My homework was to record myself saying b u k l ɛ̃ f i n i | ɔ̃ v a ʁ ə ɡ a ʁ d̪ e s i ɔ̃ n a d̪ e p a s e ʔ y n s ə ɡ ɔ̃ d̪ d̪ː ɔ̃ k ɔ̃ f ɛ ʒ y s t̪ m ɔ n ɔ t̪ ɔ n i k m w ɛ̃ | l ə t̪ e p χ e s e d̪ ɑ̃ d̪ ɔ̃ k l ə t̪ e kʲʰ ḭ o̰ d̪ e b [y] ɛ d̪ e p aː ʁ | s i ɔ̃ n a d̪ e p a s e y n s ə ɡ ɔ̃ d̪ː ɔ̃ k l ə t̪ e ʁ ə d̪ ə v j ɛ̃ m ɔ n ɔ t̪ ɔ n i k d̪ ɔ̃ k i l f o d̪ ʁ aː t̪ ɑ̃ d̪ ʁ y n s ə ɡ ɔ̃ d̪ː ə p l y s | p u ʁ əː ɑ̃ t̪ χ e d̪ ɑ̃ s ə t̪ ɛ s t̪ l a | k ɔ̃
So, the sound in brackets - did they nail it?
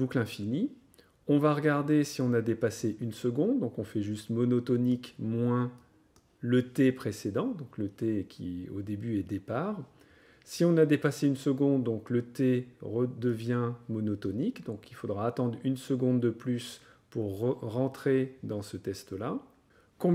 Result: yes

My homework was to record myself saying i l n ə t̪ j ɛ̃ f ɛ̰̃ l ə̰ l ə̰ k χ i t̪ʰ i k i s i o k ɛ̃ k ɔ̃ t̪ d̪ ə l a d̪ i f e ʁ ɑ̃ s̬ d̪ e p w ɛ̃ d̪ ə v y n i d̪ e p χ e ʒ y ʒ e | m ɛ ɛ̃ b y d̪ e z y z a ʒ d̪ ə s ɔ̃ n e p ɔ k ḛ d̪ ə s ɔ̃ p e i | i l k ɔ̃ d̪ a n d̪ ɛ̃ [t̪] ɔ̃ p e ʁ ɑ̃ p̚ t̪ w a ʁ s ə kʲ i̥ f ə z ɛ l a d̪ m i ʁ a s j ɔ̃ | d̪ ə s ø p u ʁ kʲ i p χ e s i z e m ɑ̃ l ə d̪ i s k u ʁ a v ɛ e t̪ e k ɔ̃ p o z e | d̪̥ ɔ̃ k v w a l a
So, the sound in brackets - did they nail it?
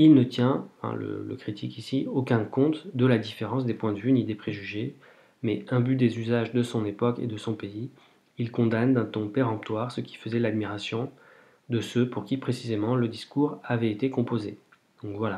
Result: yes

